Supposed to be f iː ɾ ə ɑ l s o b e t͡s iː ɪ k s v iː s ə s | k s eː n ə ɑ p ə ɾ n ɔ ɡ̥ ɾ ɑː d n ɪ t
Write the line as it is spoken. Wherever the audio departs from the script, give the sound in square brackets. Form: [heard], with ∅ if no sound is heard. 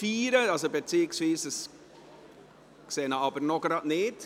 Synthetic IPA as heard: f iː ɾ ə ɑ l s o b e t͡s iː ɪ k s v iː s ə s | k s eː n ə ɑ [b] ə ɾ n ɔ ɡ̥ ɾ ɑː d n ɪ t